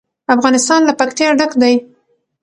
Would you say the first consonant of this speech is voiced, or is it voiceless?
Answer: voiceless